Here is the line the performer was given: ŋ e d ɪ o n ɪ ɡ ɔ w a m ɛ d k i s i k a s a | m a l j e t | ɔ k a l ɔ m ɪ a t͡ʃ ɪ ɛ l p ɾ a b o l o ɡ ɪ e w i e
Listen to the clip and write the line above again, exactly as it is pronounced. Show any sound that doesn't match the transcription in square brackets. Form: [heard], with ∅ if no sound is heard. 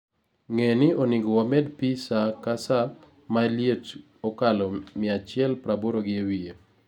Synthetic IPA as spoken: ŋ e [n] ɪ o n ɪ ɡ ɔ w a m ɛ d [p] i s [a] k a s a | m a l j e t | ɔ k a l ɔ m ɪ a t͡ʃ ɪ ɛ l p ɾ a b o [ɾ] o ɡ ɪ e w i e